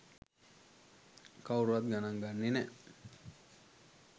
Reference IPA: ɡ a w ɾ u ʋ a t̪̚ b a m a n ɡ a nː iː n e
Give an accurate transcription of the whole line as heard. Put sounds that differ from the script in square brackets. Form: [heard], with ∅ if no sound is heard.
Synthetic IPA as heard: [k] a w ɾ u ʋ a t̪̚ [ɡ] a [n] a [ŋ] ɡ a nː [i] n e